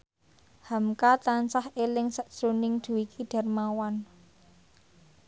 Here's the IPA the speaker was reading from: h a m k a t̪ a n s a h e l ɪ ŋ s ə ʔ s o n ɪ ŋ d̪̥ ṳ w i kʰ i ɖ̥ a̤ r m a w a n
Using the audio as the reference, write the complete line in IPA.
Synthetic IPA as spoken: h a m k a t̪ a n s a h e l ɪ ŋ s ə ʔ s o n ɪ ŋ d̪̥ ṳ w i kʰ i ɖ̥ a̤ r m a w a n